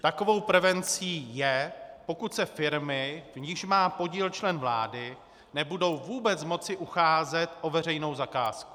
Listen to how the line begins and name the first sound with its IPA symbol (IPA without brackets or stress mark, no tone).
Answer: t̪